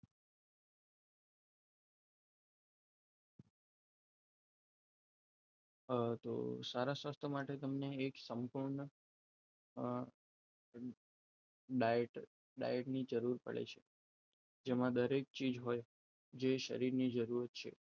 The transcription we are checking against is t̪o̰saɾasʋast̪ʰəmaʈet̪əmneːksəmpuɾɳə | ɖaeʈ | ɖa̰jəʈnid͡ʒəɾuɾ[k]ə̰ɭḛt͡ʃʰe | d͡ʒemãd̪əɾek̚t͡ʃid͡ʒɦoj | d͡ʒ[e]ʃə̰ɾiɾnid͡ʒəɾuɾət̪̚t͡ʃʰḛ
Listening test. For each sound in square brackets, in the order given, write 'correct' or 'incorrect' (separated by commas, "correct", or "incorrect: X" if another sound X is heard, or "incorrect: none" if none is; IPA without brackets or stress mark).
incorrect: p, correct